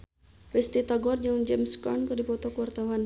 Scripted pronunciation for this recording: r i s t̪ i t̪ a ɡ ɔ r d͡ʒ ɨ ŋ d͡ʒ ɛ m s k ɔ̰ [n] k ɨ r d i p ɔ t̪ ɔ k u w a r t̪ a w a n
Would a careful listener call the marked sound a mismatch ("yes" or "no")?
no